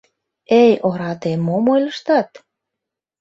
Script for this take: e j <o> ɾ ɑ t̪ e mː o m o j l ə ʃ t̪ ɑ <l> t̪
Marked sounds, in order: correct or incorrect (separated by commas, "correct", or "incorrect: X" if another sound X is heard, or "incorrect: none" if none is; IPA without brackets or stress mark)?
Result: correct, incorrect: none